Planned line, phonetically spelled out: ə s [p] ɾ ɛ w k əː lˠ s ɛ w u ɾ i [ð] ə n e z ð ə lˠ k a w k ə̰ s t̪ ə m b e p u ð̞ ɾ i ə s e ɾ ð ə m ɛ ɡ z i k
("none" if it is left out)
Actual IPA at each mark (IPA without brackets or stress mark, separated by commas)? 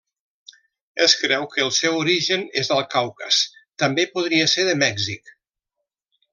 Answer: k, ʒ